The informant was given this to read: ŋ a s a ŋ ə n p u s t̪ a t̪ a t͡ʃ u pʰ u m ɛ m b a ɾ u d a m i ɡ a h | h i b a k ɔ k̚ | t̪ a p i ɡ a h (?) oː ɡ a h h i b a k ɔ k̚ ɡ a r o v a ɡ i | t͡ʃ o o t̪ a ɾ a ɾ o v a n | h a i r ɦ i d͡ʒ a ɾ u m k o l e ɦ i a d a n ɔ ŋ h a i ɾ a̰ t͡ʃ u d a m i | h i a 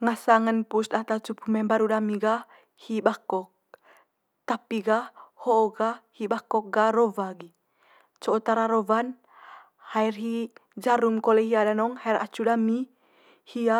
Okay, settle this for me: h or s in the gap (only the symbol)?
h